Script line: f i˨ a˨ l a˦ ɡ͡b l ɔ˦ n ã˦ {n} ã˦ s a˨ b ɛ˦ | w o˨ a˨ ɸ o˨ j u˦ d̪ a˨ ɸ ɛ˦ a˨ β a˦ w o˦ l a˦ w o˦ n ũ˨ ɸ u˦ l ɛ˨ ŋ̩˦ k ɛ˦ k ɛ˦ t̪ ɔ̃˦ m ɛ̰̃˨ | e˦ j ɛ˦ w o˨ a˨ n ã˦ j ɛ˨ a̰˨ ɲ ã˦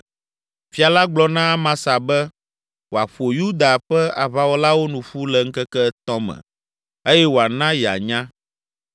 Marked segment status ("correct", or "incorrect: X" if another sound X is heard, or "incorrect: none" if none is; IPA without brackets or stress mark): incorrect: m